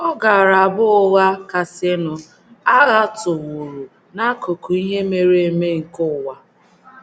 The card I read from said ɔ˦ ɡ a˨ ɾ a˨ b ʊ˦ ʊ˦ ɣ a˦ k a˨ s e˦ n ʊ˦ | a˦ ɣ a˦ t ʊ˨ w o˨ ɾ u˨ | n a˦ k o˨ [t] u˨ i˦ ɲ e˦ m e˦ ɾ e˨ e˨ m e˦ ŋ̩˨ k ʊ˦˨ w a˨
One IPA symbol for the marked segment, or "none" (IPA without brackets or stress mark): k